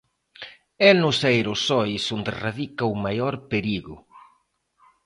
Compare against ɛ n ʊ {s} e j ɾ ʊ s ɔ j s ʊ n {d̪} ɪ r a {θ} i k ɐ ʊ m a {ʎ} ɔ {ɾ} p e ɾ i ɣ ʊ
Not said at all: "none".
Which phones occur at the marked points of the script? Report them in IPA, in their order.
s, d̪, ð, j, ɾ

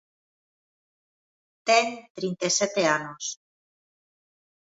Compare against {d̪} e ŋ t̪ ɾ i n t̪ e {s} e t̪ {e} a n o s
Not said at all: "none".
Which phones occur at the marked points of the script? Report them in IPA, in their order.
t̪, s, e

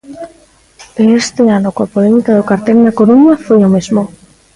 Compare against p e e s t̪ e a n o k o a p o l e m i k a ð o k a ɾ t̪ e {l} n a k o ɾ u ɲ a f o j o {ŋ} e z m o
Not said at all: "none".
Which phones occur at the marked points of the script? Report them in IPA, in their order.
l, m

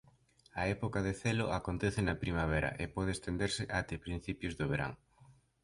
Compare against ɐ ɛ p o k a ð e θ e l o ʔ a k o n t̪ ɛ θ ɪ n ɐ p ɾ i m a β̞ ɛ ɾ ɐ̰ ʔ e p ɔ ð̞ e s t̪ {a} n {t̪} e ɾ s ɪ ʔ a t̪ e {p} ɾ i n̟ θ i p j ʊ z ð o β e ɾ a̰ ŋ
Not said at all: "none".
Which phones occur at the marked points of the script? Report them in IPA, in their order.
e, d̪, p

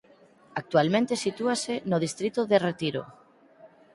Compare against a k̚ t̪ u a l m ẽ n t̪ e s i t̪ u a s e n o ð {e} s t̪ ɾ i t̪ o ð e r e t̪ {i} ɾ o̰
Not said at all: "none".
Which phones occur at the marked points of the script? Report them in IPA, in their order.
i, i

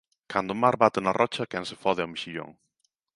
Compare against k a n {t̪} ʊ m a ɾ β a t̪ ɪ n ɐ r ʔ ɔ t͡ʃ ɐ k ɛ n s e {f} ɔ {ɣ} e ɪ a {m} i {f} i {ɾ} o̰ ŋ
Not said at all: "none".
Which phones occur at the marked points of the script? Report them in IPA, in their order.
d̪, f, ð, m, ʃ, ʎ

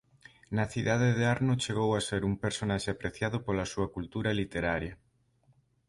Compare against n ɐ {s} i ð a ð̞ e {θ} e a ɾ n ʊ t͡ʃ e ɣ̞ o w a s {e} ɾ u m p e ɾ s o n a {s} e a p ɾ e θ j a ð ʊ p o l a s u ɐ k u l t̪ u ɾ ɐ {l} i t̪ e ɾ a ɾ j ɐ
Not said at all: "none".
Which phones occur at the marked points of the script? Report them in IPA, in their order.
θ, ð, e, ʃ, l

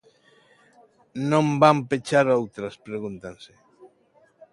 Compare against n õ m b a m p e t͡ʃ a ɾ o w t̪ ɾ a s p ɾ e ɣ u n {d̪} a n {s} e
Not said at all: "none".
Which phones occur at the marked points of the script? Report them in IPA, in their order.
t̪, s

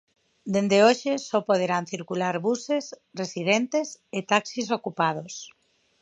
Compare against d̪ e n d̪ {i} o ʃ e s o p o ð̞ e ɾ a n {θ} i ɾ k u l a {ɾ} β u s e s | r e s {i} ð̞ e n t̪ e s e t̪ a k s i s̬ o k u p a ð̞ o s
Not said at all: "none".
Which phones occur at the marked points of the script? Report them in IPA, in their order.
e, θ, ɾ, i

